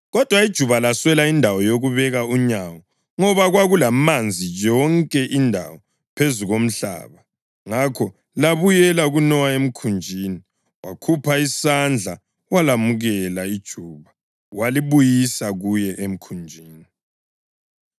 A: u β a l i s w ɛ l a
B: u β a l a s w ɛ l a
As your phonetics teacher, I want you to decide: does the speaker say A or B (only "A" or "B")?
B